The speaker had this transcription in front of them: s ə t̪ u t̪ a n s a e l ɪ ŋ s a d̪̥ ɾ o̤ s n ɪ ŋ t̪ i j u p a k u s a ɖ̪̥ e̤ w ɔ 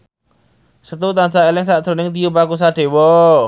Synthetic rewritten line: s ə t̪ u t̪ a n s a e l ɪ ŋ s a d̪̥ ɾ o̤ n ɪ ŋ t̪ i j u p a k u s a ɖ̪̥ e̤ w ɔ

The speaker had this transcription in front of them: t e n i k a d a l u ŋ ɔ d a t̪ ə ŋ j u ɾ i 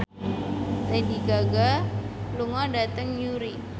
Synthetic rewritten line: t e d i ɡ a ɡ a l u ŋ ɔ d a t̪ ə ŋ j u ɾ i

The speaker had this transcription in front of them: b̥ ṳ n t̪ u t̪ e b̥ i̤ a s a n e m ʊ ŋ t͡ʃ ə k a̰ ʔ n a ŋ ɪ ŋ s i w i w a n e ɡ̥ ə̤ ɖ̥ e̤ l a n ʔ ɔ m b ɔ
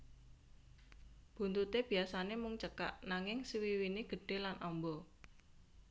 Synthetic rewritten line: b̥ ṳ n t̪ u t̪ e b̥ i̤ a s a n e m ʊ ŋ t͡ʃ ə k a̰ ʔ n a ŋ ɪ ŋ s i w i w i n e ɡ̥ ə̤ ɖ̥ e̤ l a n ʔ ɔ m b ɔ

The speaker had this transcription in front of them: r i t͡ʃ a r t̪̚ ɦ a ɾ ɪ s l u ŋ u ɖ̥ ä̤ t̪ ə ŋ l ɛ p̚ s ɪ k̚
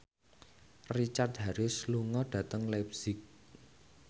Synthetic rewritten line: r i t͡ʃ a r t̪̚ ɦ a ɾ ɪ s l u ŋ ɔ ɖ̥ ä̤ t̪ ə ŋ l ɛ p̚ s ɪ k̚

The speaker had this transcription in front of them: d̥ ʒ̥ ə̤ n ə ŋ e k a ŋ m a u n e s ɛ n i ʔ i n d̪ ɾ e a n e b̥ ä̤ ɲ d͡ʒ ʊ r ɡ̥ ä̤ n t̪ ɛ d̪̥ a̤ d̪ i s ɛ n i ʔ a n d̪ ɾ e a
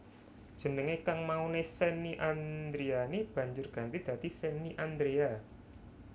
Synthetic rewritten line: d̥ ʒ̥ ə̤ n ə ŋ e k a ŋ m a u n e s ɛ n i ʔ a n d̪ ɾ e a n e b̥ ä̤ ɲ d͡ʒ ʊ r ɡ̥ ä̤ n t̪ i d̪̥ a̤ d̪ i s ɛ n i ʔ a n d̪ ɾ e a

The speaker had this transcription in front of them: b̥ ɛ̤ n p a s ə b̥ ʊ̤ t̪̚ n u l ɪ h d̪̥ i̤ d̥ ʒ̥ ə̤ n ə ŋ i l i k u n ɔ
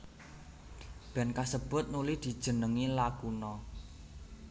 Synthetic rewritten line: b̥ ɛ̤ n k a s ə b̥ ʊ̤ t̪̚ n u l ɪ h d̪̥ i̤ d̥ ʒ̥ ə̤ n ə ŋ i l a k u n ɔ

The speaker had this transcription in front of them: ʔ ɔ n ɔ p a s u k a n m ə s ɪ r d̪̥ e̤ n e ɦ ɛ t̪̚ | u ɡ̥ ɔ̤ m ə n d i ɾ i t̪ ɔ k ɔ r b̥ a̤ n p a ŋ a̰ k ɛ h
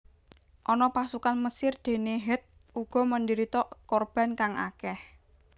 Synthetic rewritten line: ʔ ɔ n ɔ p a s u k a n m ə s ɪ r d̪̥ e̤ n e ɦ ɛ t̪̚ | u ɡ̥ ɔ̤ m ə n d i ɾ i t̪ ɔ k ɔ r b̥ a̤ n k a ŋ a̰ k ɛ h

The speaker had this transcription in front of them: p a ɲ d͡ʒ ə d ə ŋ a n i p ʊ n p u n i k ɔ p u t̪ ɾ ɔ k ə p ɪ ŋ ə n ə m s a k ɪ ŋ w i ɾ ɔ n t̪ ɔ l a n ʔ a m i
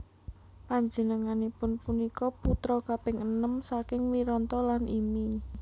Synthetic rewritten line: p a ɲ d͡ʒ ə n ə ŋ a n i p ʊ n p u n i k ɔ p u t̪ ɾ ɔ k a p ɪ ŋ ə n ə m s a k ɪ ŋ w i ɾ ɔ n t̪ ɔ l a n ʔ i m i

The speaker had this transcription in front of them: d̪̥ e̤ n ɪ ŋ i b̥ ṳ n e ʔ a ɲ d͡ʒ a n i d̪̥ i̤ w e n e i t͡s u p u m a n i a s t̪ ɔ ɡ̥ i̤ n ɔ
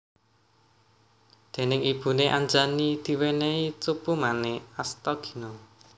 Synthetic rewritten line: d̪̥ e̤ n ɪ ŋ i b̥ ṳ n e ʔ a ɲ d͡ʒ a n i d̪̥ i̤ w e n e i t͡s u p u m a n e a s t̪ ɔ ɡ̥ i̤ n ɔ

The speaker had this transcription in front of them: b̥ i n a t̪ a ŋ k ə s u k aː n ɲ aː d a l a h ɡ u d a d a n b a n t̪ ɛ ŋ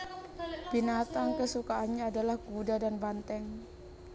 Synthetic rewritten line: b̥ i n a t̪ a ŋ k ə s u k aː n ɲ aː d a l a h ɡ u d a d a n b a n t̪ ɛ ŋ

